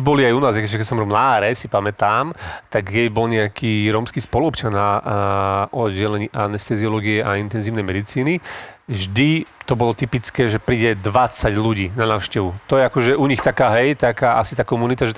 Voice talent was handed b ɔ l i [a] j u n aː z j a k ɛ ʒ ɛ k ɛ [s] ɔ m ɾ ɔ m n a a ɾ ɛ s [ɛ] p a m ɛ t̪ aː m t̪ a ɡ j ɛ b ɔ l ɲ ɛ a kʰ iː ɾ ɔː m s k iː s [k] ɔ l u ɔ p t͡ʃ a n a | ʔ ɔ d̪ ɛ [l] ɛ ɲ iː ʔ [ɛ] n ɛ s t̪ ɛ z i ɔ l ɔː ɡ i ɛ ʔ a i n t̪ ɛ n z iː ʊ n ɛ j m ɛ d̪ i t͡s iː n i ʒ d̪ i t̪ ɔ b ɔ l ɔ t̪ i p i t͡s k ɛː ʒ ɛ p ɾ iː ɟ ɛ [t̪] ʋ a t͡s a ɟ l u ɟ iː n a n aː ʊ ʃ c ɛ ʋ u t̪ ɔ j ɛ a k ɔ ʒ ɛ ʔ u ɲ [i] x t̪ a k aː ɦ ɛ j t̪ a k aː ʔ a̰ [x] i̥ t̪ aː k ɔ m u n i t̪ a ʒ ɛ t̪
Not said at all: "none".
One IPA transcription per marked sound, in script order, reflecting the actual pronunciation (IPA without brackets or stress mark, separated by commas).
a, s, i, p, l, a, d̪, i, s